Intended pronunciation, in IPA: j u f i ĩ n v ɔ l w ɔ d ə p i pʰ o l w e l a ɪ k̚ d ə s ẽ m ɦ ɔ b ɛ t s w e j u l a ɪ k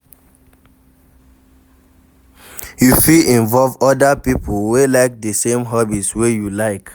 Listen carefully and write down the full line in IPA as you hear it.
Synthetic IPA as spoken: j u f i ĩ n v ɔ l v ɔ d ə p i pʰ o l w e l a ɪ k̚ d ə s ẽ m ɦ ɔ b i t s w e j u l a ɪ k